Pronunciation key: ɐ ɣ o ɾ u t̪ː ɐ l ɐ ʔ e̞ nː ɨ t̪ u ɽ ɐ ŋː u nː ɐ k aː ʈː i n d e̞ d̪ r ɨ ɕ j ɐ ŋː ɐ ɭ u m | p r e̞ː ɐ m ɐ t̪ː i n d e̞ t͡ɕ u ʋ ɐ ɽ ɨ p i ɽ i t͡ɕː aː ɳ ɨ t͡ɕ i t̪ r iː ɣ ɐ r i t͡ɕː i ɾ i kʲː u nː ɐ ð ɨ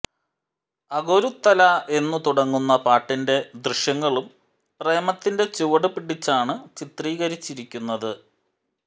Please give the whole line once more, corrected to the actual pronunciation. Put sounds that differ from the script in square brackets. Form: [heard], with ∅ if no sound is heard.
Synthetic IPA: ɐ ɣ o ɾ u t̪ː ɐ l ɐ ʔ e̞ nː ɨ t̪ u ɽ ɐ ŋː u nː ɐ [p] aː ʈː i n d e̞ d̪ r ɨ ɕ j ɐ ŋː ɐ ɭ u m | p r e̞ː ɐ m ɐ t̪ː i n d e̞ t͡ɕ u ʋ ɐ ɽ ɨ p i ɽ i t͡ɕː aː ɳ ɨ t͡ɕ i t̪ r iː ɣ ɐ [ɾ] i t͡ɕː i ɾ i kʲː u nː ɐ ð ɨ